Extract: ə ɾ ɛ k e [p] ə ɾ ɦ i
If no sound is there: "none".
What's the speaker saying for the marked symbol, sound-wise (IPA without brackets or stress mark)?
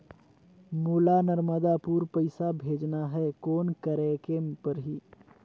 p